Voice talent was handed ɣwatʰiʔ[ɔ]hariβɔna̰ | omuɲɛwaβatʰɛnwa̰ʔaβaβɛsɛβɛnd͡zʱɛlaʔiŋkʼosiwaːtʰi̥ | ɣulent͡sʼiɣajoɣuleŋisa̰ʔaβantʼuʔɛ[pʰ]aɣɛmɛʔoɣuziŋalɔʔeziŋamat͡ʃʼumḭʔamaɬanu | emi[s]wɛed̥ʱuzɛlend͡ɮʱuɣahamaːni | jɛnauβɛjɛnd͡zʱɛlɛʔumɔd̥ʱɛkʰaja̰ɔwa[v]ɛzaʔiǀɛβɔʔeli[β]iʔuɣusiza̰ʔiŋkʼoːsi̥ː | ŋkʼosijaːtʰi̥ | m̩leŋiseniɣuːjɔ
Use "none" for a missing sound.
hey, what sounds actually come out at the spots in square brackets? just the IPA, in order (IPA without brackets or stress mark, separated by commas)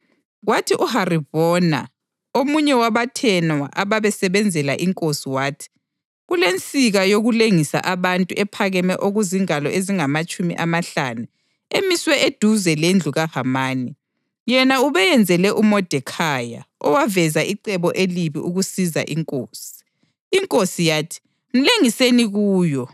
u, pʰ, s, v, β